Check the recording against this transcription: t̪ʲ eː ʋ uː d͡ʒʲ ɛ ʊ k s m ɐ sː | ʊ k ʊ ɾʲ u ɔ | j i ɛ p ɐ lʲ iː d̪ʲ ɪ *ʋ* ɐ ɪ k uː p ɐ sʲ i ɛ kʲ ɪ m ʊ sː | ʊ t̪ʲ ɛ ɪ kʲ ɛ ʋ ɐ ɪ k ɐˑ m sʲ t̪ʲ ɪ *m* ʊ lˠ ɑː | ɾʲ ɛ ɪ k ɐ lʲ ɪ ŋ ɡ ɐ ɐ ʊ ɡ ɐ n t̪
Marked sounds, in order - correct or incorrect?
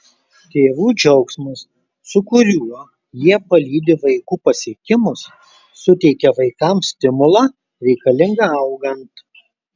correct, correct

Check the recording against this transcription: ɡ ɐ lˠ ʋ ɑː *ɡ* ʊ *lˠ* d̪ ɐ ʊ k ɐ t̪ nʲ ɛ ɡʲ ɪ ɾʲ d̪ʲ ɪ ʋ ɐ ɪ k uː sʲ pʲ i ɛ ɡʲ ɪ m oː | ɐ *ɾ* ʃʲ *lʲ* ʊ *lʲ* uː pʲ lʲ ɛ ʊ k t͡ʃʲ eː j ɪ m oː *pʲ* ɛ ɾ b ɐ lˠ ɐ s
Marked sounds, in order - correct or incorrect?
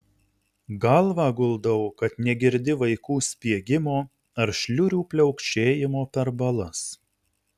correct, correct, correct, correct, incorrect: ɾʲ, correct

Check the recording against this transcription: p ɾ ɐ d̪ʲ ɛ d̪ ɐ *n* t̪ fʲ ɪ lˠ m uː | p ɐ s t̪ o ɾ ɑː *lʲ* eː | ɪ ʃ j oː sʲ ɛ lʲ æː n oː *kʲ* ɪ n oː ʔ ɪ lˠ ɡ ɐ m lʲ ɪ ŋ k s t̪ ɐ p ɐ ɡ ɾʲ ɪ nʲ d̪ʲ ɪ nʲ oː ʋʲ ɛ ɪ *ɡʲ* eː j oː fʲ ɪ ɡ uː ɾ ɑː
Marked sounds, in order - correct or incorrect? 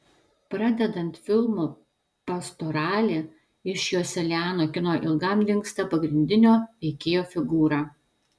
correct, correct, correct, incorrect: kʲ

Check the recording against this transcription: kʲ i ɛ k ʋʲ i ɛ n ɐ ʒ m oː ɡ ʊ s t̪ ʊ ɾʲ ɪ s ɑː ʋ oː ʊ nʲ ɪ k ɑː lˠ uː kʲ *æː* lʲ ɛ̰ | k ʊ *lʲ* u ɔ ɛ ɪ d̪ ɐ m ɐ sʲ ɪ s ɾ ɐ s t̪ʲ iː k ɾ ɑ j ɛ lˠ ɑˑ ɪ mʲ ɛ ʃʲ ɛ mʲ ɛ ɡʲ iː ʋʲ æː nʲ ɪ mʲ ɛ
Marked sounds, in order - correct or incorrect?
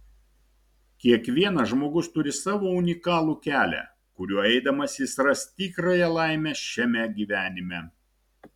correct, incorrect: ɾʲ

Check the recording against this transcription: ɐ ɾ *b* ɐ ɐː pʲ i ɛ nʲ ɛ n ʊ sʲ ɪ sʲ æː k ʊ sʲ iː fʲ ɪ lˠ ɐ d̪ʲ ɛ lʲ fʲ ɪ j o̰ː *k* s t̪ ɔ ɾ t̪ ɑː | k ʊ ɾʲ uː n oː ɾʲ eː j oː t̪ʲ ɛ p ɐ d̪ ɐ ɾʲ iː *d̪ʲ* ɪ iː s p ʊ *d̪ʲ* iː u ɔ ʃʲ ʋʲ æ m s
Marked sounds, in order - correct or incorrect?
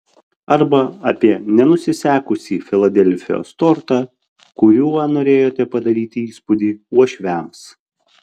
correct, incorrect: none, incorrect: t̪ʲ, correct

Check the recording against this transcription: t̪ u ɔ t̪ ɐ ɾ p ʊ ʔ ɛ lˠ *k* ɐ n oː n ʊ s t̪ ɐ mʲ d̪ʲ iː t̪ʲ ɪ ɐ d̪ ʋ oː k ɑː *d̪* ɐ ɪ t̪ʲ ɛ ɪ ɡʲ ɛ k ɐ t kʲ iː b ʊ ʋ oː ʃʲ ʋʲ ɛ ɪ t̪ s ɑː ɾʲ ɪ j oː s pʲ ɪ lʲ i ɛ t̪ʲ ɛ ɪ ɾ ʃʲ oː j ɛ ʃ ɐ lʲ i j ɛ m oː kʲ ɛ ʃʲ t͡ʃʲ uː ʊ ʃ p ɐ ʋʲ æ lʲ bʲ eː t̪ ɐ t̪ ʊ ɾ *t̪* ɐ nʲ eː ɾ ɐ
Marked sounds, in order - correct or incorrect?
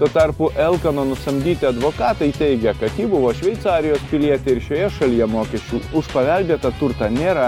correct, incorrect: t̪, correct

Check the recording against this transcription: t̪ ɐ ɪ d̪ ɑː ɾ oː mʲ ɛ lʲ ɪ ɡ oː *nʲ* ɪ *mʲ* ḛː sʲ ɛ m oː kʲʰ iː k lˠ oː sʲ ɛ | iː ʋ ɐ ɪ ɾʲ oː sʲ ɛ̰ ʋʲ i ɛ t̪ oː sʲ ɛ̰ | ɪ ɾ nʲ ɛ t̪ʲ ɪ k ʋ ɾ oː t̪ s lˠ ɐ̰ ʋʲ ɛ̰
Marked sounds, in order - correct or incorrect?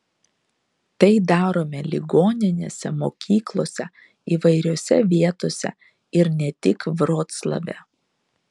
correct, incorrect: nʲ

